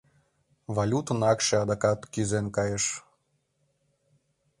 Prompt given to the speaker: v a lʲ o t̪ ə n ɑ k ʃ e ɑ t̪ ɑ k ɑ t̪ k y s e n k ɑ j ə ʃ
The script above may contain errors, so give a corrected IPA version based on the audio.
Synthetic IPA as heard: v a lʲ u t̪ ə n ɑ k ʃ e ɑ d̪ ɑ k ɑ t̪ k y z e n k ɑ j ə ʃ